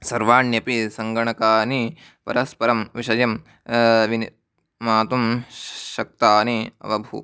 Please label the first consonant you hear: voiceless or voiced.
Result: voiceless